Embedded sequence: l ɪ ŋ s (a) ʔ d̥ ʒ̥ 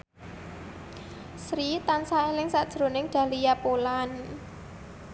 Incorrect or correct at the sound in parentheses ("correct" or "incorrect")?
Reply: correct